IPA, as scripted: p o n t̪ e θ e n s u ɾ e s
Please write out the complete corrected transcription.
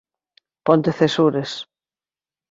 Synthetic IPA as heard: p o n t̪ e θ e s u ɾ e s